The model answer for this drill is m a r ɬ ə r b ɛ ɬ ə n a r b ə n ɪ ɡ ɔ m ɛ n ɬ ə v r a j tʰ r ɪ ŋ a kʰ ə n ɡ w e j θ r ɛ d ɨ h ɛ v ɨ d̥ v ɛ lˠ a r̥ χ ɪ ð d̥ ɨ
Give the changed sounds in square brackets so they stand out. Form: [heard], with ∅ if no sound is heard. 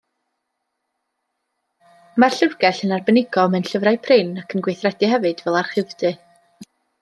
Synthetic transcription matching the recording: m a r ɬ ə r [ɡ] ɛ ɬ ə n a r b ə n ɪ ɡ ɔ m ɛ n ɬ ə v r a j [pʰ] r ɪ [n] a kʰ ə n ɡ w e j θ r ɛ d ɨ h ɛ v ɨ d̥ v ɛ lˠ a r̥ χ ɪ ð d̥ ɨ